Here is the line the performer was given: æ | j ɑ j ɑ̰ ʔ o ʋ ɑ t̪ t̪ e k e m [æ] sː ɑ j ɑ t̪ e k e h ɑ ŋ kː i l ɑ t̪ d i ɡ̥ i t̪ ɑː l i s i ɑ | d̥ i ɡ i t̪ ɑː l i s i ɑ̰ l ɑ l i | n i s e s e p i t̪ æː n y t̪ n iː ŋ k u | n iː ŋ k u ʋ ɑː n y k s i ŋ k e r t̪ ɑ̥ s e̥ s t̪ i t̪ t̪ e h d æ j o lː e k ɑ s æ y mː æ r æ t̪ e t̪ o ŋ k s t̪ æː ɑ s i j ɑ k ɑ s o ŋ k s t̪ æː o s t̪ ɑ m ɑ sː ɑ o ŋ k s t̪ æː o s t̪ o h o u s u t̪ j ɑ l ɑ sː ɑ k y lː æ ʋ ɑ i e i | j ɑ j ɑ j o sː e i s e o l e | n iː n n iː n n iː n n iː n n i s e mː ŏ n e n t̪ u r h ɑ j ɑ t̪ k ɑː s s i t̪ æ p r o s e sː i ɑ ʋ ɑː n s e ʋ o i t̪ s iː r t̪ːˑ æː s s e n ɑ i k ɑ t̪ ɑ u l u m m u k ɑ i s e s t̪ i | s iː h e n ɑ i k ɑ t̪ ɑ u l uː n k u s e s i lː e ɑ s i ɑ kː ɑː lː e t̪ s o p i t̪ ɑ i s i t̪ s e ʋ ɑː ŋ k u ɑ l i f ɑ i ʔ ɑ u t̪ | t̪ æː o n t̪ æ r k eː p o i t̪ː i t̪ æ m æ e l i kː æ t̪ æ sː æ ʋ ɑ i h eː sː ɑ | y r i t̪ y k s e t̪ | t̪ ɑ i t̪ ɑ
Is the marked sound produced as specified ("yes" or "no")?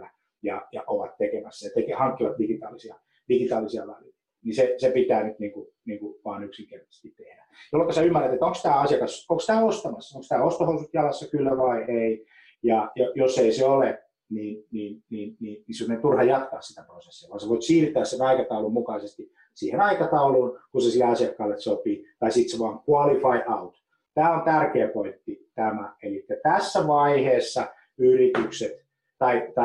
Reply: yes